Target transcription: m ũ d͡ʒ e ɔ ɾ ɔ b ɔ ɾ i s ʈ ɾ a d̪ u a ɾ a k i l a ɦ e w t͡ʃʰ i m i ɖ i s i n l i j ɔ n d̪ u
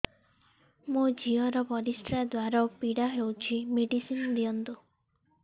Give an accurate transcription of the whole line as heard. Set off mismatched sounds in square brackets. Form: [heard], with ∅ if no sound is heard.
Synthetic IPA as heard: m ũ d͡ʒ [i] ɔ ɾ ɔ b ɔ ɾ i s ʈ ɾ a d̪ [w] a ɾ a [p] i [ɽ] a ɦ e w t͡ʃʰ i m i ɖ i s i n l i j ɔ n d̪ u